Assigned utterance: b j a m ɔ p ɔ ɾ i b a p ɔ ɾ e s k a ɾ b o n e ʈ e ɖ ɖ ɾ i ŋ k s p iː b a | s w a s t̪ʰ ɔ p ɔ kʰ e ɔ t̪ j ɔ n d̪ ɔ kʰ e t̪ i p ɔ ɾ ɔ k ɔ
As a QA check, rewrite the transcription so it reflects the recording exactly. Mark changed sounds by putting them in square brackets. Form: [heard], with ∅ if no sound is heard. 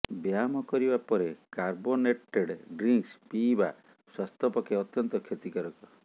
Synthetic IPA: b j a m ɔ [k] ɔ ɾ i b a p ɔ ɾ e [∅] k a ɾ b o n e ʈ e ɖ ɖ ɾ i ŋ k s p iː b a | s w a s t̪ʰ ɔ p ɔ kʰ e ɔ t̪ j ɔ n [t̪] ɔ kʰ e t̪ i [k] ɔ ɾ ɔ k ɔ